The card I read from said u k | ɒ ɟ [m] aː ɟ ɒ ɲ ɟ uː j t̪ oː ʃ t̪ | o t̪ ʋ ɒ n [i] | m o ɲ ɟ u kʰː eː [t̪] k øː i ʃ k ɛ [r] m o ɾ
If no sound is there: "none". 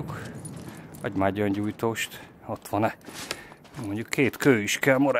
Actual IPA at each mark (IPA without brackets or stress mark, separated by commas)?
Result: m, ɛ, t̪, l